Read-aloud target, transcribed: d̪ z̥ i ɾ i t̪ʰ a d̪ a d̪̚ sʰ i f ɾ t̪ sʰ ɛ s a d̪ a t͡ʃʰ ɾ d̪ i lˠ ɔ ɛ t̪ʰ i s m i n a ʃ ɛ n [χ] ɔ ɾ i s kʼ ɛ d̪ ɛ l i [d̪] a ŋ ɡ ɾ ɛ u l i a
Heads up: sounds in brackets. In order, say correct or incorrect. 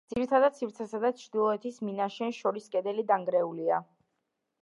incorrect, correct

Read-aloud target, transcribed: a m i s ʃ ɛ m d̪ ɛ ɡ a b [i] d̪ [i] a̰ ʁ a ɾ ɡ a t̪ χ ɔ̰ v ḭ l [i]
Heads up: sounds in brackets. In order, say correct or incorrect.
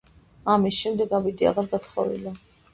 correct, correct, incorrect

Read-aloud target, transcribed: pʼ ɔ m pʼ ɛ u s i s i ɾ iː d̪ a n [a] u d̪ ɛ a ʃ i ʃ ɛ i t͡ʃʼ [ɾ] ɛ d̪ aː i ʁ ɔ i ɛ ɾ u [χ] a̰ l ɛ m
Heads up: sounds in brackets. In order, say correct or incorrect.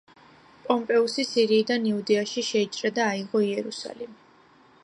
incorrect, correct, incorrect

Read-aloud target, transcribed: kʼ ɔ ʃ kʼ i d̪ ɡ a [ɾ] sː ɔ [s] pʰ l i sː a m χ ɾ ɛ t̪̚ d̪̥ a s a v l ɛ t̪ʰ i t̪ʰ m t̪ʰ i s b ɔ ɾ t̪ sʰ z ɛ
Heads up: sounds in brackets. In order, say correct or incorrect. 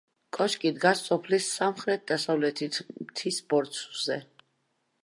incorrect, incorrect

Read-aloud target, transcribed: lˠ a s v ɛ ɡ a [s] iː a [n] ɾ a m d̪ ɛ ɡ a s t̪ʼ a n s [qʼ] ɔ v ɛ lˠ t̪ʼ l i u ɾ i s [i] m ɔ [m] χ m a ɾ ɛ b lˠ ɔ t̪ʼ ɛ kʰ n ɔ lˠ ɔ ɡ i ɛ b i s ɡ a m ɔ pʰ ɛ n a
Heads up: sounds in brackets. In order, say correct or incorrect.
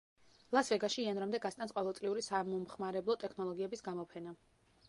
incorrect, correct, correct, incorrect, correct

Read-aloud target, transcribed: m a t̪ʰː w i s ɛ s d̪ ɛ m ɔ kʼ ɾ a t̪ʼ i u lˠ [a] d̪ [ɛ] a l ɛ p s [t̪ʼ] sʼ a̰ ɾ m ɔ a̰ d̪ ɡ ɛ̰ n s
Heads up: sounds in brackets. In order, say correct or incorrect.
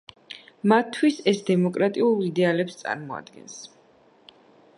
incorrect, correct, incorrect

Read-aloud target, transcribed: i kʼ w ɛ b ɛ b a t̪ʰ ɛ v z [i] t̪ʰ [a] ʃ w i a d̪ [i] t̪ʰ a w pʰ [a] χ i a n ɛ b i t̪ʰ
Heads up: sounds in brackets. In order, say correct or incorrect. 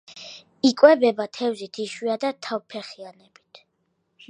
correct, incorrect, incorrect, incorrect

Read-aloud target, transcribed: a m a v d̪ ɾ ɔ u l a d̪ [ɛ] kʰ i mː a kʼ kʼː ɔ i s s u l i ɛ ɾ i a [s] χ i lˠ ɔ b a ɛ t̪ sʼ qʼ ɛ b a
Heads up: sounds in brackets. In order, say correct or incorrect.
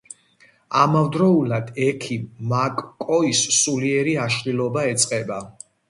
correct, incorrect

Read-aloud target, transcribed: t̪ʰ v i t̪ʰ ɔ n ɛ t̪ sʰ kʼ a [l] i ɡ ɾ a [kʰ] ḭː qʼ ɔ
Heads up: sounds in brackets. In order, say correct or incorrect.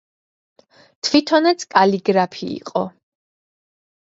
correct, incorrect

